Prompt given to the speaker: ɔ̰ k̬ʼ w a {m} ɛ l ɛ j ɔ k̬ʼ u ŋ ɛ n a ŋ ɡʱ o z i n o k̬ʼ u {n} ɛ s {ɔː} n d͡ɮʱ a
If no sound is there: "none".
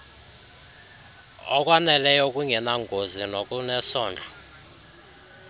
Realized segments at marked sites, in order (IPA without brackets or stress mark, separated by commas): n, n, ɔː